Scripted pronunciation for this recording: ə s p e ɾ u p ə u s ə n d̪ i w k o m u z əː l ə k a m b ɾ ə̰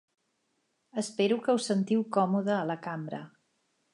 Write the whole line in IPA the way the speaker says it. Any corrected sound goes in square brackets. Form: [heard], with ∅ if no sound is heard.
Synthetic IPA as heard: ə s p e ɾ u [k] ə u s ə n [t̪] i w k [ɔ] m u [ð] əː l ə k a m b ɾ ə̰